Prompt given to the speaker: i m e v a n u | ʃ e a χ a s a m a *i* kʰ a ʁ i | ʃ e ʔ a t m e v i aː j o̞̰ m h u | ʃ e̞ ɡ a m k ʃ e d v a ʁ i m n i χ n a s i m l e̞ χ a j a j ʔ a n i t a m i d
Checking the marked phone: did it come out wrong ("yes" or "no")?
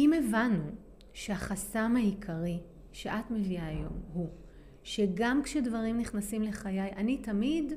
no